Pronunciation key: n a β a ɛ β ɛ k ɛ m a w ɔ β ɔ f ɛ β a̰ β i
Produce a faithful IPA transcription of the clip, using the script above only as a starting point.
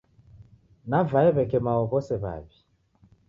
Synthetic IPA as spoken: n a v a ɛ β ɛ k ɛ m a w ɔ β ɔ s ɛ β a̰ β i